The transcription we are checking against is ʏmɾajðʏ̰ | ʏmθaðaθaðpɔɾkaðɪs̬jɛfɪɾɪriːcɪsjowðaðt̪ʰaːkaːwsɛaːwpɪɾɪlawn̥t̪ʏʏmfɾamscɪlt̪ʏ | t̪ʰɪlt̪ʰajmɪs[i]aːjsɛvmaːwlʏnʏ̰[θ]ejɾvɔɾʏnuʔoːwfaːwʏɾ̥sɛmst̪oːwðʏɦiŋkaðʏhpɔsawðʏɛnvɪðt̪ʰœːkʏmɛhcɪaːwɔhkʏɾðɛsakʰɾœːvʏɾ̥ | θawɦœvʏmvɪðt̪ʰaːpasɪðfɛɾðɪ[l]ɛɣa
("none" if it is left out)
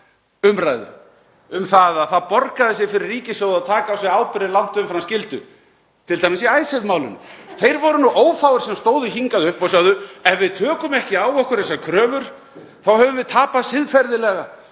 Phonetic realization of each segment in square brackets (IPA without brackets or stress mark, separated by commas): i, θ, l